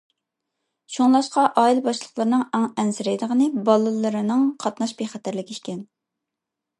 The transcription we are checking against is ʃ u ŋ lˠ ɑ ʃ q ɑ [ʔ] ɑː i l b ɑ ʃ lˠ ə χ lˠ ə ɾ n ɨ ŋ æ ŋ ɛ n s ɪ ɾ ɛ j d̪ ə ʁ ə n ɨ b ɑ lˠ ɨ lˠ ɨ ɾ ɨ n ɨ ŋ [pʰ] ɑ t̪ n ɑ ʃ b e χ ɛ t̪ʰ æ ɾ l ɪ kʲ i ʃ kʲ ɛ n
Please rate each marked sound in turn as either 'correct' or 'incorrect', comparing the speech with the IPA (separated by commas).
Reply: correct, incorrect